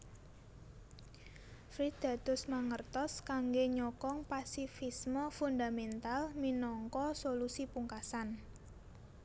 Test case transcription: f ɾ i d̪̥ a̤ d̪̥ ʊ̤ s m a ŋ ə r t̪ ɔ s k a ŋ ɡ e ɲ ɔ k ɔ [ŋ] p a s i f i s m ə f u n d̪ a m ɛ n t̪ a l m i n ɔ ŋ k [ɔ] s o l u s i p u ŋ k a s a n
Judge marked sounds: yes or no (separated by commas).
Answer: yes, yes